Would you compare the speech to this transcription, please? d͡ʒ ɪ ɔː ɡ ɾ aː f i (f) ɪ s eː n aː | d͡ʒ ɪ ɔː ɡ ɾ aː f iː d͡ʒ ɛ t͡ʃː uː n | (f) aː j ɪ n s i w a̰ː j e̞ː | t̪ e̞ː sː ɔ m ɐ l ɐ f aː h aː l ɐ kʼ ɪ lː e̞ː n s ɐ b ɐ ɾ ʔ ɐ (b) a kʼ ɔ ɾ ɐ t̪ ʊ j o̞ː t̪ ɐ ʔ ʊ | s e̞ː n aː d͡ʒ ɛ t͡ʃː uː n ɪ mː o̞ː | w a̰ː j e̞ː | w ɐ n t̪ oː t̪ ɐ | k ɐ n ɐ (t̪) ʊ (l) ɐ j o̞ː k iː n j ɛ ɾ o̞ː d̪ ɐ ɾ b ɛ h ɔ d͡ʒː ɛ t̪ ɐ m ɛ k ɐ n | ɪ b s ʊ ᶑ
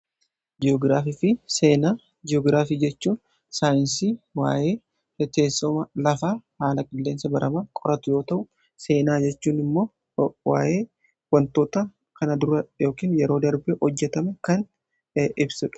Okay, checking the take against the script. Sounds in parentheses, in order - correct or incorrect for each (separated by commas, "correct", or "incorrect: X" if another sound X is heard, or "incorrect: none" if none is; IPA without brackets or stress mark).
correct, incorrect: s, incorrect: m, incorrect: d̪, incorrect: ɾ